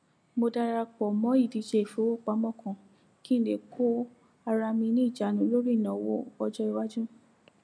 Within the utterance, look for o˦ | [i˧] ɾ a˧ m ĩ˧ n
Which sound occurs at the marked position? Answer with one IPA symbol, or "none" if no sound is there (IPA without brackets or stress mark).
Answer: a˧